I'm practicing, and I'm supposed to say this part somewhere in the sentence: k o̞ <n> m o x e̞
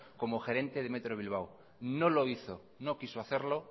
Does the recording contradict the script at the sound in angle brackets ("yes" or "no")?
yes